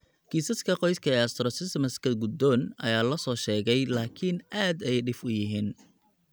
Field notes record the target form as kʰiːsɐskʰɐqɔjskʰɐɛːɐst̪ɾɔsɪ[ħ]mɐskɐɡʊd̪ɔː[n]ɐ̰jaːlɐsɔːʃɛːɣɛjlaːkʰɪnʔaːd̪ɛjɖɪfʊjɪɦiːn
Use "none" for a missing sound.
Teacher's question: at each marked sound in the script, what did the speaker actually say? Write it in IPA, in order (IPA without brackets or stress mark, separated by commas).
s, n